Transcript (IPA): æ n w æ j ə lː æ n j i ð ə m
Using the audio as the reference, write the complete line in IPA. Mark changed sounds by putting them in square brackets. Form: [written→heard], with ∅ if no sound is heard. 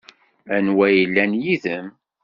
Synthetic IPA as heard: æ n w æ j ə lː æ n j i ð ə m

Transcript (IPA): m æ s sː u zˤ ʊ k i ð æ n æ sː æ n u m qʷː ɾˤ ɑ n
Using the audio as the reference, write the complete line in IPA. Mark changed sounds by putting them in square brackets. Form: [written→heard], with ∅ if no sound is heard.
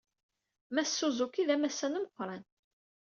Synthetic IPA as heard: m æ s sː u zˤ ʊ k i ð æ [n→m] æ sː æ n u m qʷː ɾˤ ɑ n

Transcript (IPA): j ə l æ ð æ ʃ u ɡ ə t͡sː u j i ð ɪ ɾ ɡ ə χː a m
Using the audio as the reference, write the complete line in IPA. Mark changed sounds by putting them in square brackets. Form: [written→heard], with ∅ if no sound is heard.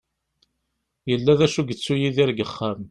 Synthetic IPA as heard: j ə [l→lː] æ ð æ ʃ u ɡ ə t͡sː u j i ð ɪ ɾ ɡ ə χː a m

